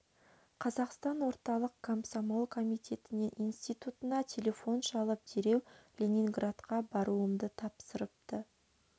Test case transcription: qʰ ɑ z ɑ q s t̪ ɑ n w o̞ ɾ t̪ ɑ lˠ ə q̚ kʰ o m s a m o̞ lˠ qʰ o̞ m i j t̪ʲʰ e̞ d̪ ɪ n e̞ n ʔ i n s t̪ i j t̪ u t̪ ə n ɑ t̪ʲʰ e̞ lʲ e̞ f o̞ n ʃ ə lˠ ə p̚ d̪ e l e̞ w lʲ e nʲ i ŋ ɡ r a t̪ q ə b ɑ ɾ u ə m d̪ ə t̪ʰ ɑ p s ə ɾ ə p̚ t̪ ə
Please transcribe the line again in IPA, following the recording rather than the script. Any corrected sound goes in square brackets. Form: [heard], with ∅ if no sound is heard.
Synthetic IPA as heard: qʰ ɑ z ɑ q s t̪ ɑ n w o̞ ɾ t̪ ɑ lˠ ə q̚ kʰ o m s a m o̞ lˠ [kʰ] o̞ m i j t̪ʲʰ e̞ [t̪] ɪ n e̞ n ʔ i n s t̪ i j t̪ u t̪ ə n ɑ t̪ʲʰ e̞ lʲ e̞ f o̞ n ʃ [ɑ] lˠ ə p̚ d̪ e [ɾ] e̞ w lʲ e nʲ i ŋ ɡ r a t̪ q [ɑ] b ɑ ɾ u ə m d̪ ə t̪ʰ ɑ p s ə ɾ ə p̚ t̪ ə

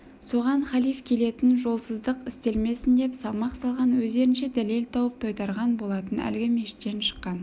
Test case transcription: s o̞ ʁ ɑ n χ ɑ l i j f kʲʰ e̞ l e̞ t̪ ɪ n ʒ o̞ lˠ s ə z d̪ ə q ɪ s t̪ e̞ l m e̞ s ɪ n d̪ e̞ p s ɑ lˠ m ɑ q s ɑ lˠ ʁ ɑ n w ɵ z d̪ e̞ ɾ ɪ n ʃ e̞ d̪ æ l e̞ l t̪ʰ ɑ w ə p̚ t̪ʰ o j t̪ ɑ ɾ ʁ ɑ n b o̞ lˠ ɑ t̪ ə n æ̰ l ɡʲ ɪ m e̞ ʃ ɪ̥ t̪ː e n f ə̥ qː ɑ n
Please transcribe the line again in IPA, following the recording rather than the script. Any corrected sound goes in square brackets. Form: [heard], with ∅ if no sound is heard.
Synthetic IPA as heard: s o̞ ʁ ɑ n χ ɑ l i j f kʲʰ e̞ l e̞ t̪ ɪ n ʒ o̞ lˠ s ə z d̪ ə q ɪ s t̪ e̞ l m e̞ s ɪ n d̪ e̞ p s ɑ lˠ m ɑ q s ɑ lˠ ʁ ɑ n w ɵ z d̪ e̞ ɾ ɪ n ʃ e̞ d̪ æ l e̞ l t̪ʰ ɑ w ə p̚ t̪ʰ o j t̪ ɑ ɾ ʁ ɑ n b o̞ lˠ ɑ t̪ ə n æ̰ l ɡʲ ɪ m e̞ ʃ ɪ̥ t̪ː e n [ʃ] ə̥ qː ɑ n

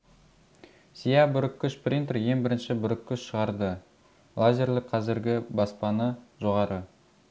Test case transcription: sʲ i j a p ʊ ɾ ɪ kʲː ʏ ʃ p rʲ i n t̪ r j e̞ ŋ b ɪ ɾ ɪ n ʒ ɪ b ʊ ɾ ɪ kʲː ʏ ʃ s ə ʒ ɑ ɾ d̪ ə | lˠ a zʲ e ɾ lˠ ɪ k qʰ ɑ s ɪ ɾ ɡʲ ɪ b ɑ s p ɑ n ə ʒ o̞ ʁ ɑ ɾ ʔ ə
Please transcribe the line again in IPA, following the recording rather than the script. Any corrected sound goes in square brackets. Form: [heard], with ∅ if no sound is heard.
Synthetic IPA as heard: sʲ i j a [b] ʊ ɾ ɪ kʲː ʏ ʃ p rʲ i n t̪ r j e̞ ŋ b ɪ ɾ ɪ n [ʃ] ɪ b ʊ ɾ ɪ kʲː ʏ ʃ [ʃ] ə [ʁ] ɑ ɾ d̪ ə | lˠ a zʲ e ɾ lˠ ɪ k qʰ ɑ [z] ɪ ɾ ɡʲ ɪ b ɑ s p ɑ n ə ʒ o̞ ʁ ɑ ɾ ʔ ə

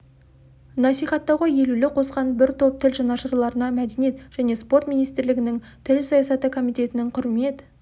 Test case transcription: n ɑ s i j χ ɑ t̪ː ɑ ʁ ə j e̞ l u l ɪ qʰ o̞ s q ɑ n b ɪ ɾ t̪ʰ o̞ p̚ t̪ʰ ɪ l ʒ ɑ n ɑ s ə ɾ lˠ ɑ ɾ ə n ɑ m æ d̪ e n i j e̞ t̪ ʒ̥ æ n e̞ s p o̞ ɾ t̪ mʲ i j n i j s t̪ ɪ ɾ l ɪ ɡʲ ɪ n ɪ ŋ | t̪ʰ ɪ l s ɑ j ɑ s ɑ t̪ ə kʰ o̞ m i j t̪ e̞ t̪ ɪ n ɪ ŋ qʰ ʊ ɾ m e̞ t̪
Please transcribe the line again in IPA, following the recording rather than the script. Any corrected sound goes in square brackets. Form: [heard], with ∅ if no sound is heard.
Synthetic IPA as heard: n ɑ s i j χ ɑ t̪ː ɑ ʁ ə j e̞ l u l ɪ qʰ o̞ s q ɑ n b ɪ ɾ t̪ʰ o̞ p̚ t̪ʰ ɪ l ʒ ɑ n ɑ [ʃ] ə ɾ lˠ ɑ ɾ ə n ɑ m æ d̪ e n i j e̞ t̪ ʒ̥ æ n e̞ s p o̞ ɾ t̪ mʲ i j n i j s t̪ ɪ ɾ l ɪ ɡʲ ɪ n ɪ ŋ | t̪ʰ ɪ l s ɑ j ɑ s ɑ t̪ ə kʰ o̞ m i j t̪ e̞ t̪ ɪ n ɪ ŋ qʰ ʊ ɾ m e̞ t̪

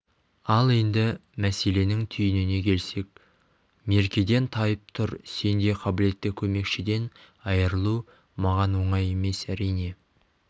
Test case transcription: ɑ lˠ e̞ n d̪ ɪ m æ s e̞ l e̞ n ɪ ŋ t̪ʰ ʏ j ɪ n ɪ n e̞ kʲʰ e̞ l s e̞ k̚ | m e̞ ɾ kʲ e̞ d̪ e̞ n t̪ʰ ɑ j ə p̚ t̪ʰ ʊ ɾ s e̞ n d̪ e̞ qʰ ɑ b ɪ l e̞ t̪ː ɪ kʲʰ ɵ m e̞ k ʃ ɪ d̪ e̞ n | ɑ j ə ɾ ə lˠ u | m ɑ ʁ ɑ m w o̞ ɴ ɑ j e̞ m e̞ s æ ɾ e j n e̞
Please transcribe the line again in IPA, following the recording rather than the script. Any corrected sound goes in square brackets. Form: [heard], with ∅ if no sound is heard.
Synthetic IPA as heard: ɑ lˠ e̞ n d̪ ɪ m æ s e̞ l e̞ n ɪ ŋ t̪ʰ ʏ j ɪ n ɪ n e̞ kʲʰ e̞ l s e̞ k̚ | m e̞ ɾ kʲ e̞ d̪ e̞ n t̪ʰ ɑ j ə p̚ t̪ʰ ʊ ɾ s e̞ n d̪ e̞ qʰ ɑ b ɪ l e̞ t̪ː ɪ kʲʰ ɵ m e̞ k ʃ ɪ d̪ e̞ n | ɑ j ə ɾ ə lˠ u | m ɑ ʁ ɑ [n] w o̞ ɴ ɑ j e̞ m e̞ s æ ɾ [i] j n e̞

